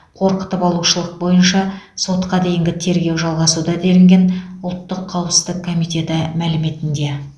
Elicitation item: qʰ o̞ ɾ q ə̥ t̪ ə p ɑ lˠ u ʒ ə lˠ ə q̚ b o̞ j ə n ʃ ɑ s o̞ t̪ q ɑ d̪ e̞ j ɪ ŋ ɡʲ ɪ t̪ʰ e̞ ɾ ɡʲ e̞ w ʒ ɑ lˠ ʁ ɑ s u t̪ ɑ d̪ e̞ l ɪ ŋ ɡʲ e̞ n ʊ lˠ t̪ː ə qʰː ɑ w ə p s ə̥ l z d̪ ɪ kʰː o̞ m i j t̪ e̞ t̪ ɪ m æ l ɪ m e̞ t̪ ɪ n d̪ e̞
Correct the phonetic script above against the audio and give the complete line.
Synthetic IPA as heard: qʰ o̞ ɾ q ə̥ t̪ ə p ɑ lˠ u ʃ ə lˠ ə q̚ b o̞ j ə n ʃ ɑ s o̞ t̪ q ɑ d̪ e̞ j ɪ ŋ ɡʲ ɪ t̪ʰ e̞ ɾ ɡʲ e̞ w ʒ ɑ lˠ ʁ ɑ s u d̪ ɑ d̪ e̞ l ɪ ŋ ɡʲ e̞ n ʊ lˠ t̪ː ə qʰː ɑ w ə p s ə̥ z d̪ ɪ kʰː o̞ m i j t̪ e̞ t̪ ɪ m æ l ɪ m e̞ t̪ ɪ n d̪ e̞